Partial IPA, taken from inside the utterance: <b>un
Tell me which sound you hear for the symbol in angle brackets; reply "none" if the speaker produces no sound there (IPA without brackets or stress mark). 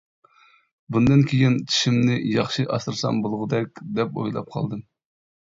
b